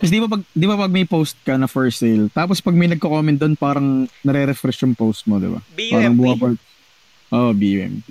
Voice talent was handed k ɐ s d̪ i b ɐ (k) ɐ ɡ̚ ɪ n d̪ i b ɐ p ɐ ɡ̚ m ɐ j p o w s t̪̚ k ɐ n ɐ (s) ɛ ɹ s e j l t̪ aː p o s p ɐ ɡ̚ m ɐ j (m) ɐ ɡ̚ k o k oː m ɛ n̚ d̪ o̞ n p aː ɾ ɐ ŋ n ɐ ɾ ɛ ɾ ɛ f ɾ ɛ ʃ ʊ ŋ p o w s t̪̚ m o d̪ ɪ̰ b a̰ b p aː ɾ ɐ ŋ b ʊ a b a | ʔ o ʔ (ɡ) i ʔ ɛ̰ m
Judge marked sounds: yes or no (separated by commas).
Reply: no, no, no, no